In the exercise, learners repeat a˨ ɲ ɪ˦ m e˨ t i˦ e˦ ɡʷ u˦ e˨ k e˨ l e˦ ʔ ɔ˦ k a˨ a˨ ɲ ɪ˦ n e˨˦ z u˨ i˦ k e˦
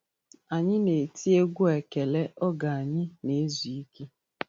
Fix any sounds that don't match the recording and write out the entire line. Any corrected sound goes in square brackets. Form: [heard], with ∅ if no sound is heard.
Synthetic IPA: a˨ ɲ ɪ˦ [n] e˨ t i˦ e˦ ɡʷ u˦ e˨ k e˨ l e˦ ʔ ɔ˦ [ɡ] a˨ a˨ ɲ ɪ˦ n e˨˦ z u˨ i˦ k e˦